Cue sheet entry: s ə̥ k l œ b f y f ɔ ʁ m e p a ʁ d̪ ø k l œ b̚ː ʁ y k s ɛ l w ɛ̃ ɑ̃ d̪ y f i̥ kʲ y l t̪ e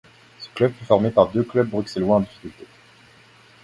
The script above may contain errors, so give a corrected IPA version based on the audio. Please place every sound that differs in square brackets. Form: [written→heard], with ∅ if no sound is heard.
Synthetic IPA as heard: s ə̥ k l œ b f y f ɔ ʁ m e p a ʁ d̪ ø k l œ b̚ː ʁ y k s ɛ l w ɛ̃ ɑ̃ d̪ [y→i] f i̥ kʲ y l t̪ e